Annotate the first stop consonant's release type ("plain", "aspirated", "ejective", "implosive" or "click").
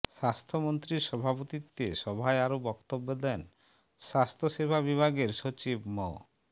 aspirated